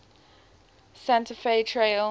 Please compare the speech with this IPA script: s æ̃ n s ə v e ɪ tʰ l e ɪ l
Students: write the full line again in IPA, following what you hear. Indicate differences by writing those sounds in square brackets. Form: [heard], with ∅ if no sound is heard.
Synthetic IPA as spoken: s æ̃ n [t] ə [f] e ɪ tʰ [ɹ] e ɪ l